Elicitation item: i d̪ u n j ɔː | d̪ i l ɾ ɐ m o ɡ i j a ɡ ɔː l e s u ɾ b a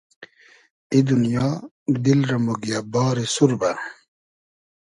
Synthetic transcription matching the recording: i d̪ u n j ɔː | d̪ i l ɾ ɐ m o ɡ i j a b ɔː ɾ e s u ɾ b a